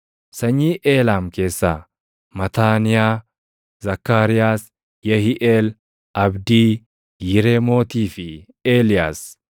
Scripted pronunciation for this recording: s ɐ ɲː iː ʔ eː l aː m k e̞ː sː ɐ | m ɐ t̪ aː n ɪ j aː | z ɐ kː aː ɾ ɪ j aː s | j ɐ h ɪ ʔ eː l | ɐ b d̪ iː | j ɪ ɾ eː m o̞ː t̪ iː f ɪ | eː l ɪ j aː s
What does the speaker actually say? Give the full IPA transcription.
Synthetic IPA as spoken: s ɐ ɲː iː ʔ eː l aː m k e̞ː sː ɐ | m ɐ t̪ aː n ɪ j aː | z ɐ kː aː ɾ ɪ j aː s | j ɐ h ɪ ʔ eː l | ɐ b d̪ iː | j ɪ ɾ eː m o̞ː t̪ iː f ɪ | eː l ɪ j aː s